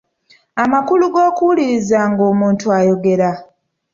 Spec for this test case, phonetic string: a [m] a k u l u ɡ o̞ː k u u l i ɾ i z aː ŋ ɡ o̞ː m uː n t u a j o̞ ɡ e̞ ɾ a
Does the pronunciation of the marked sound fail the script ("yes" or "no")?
no